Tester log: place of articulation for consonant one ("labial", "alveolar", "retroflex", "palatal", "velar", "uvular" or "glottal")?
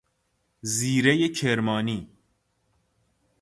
alveolar